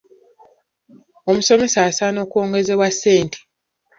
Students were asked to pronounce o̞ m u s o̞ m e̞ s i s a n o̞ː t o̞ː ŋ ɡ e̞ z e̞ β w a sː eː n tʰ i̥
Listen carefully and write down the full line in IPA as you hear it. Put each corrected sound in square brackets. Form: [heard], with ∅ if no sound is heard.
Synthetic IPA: o̞ m u s o̞ m e̞ s [a] s a n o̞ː [k] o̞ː ŋ ɡ e̞ z e̞ β w a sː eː n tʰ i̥